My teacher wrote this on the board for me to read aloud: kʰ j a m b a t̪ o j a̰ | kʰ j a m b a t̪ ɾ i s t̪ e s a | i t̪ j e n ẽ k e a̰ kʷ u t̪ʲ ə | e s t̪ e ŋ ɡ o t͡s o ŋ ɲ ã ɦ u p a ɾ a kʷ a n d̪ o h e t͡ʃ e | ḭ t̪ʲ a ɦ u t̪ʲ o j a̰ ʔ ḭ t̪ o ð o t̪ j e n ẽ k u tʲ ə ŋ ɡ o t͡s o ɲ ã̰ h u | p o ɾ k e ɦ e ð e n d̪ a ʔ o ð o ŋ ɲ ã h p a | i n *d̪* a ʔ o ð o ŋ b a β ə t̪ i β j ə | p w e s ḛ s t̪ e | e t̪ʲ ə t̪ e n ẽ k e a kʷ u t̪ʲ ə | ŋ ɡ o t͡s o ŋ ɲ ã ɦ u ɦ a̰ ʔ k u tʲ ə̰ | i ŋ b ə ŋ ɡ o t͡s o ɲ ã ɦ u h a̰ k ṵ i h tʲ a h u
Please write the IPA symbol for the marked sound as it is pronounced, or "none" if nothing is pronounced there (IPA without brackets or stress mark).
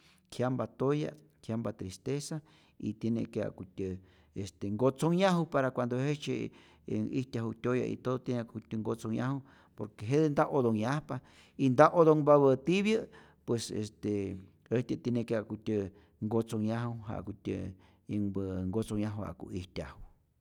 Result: d̪